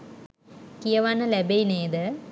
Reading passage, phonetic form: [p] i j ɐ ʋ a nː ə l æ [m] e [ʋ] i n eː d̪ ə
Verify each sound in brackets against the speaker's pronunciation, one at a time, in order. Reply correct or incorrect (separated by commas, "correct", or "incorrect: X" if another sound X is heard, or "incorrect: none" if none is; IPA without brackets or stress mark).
incorrect: k, incorrect: b, incorrect: none